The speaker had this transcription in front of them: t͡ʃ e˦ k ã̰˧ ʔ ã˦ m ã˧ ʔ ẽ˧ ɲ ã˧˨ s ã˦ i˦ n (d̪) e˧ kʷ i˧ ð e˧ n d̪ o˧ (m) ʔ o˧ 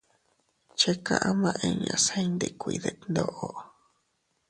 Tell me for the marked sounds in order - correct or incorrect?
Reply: correct, incorrect

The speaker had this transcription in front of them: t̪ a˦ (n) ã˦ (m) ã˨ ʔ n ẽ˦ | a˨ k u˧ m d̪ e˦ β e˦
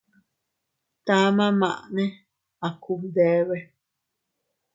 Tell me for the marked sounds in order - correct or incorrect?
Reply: incorrect, correct

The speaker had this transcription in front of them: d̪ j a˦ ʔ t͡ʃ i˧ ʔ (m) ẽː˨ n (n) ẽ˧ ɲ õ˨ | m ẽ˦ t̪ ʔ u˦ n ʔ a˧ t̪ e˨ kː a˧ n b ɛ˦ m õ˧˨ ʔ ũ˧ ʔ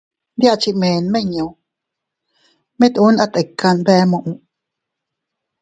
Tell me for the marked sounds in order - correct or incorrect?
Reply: correct, incorrect

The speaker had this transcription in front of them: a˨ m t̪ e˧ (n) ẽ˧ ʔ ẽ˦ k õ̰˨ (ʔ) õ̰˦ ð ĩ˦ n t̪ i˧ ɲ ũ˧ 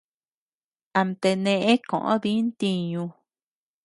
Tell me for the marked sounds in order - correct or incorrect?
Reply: correct, correct

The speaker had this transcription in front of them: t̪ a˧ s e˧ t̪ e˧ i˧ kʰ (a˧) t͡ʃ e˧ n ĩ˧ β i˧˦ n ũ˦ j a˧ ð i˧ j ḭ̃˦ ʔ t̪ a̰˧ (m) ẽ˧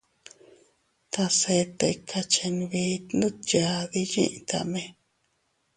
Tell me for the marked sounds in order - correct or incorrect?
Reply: correct, correct

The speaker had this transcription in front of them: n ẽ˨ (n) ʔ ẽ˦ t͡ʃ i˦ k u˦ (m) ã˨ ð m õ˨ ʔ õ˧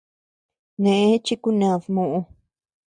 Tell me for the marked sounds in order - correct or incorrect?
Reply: incorrect, incorrect

